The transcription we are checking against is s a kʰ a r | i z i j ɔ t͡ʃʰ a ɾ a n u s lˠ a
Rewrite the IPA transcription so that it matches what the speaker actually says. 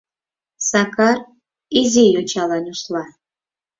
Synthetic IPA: s a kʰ a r | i z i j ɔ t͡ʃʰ a l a n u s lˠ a